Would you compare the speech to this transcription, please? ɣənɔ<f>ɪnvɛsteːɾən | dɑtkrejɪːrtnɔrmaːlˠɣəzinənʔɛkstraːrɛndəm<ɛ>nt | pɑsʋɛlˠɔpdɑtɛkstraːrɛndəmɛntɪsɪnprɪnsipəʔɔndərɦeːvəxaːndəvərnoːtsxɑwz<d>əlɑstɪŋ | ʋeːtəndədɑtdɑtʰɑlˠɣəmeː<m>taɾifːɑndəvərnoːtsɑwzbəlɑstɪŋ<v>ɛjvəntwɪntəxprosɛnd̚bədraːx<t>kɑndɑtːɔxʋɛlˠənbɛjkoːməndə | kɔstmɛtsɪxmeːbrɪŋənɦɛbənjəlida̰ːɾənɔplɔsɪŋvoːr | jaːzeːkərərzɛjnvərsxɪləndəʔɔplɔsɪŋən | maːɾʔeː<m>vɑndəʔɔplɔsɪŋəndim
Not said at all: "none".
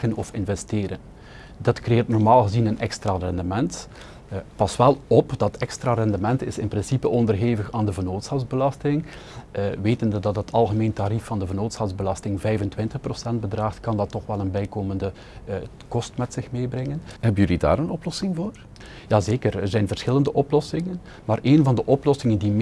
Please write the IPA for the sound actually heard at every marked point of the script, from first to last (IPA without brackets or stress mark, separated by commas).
f, ɛ, b, n, v, t, n